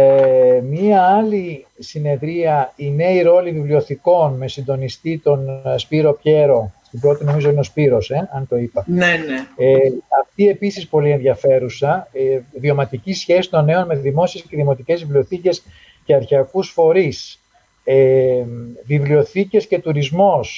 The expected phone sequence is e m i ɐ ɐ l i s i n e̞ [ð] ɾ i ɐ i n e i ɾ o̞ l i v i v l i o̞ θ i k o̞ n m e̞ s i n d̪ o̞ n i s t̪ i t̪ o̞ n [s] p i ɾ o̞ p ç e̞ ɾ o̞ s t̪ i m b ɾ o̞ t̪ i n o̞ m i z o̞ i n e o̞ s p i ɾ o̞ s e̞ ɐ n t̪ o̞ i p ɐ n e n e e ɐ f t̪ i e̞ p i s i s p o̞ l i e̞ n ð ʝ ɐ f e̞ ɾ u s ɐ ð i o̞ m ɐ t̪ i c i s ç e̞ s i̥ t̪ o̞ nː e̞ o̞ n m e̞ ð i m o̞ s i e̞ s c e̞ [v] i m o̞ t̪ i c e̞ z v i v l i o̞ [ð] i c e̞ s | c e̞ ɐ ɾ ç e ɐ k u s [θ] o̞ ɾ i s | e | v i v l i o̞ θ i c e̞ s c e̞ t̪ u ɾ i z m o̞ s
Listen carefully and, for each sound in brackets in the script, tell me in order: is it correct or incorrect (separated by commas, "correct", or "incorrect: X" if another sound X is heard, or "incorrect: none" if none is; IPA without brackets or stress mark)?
correct, correct, incorrect: ð, incorrect: θ, incorrect: f